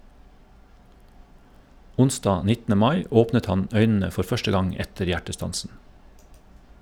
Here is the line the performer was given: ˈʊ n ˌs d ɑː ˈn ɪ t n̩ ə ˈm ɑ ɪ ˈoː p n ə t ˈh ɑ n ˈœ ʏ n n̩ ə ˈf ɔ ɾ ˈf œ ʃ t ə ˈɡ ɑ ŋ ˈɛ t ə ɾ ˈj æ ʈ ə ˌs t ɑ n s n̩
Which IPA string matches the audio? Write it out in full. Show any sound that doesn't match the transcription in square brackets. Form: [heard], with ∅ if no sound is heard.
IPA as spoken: ˈʊ n ˌs d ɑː ˈn ɪ t n̩ ə ˈm ɑ ɪ ˈoː p n ə t ˈh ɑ n ˈœ ʏ n n̩ ə ˈf ɔ ɾ ˈf œ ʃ t ə ˈɡ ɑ ŋ ˈɛ t ə ɾ ˈj æ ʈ ə ˌs t ɑ n s n̩